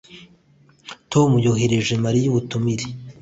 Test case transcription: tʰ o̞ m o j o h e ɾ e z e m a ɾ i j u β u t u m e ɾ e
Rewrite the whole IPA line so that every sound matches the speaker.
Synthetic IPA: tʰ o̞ m u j o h e ɾ e ʒ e m a ɾ i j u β u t u m i ɾ e